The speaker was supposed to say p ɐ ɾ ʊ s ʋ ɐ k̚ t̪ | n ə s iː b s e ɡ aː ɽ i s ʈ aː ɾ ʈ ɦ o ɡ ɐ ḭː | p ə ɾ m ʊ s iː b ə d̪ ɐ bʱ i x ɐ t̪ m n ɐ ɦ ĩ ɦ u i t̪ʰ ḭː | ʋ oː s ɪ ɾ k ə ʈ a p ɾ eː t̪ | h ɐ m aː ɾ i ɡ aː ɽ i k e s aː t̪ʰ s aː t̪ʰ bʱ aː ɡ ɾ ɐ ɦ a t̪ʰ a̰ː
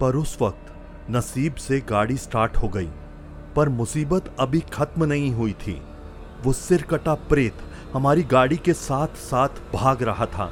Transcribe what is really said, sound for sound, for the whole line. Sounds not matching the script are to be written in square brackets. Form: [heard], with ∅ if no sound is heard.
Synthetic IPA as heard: p ɐ ɾ ʊ s ʋ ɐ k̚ t̪ | n [ɐ] s iː b s e ɡ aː ɽ i s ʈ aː ɾ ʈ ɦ o ɡ ɐ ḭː | p [ɐ] ɾ m ʊ s iː b ə [t̪] ɐ bʱ i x ɐ t̪ m n ɐ ɦ ĩ ɦ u i t̪ʰ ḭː | ʋ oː s ɪ ɾ k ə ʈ a p ɾ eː t̪ | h ɐ m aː ɾ i ɡ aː ɽ i k e s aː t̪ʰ s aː t̪ʰ bʱ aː ɡ ɾ ɐ ɦ a t̪ʰ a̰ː